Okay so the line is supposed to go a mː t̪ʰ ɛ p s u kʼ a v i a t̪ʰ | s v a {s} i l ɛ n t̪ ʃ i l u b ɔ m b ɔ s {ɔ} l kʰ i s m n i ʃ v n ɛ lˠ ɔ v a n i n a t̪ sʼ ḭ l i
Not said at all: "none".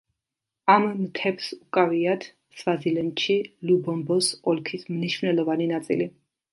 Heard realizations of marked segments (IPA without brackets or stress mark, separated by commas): z, ɔ